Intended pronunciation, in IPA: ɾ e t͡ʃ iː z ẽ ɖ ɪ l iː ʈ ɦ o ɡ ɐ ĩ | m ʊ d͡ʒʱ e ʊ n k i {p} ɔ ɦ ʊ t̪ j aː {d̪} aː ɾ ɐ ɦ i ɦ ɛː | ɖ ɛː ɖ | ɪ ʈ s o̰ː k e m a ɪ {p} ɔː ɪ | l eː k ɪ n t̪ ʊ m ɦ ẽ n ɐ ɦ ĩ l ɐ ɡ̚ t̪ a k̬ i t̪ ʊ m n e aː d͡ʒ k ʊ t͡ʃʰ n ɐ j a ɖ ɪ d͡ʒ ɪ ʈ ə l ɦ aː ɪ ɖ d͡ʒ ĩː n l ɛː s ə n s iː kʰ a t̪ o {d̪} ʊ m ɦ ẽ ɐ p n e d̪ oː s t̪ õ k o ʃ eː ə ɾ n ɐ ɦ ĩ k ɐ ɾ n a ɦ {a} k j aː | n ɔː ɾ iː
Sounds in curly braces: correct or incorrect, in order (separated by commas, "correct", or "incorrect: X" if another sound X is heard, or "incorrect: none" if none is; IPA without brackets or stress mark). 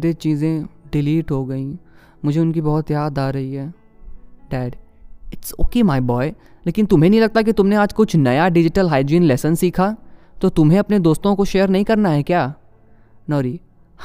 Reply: incorrect: b, correct, incorrect: b, incorrect: t̪, incorrect: ɛ